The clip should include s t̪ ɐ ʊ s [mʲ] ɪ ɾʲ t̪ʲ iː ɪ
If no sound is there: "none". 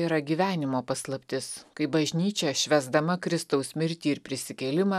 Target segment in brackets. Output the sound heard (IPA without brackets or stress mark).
mʲ